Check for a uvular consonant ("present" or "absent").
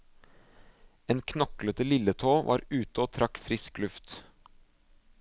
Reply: absent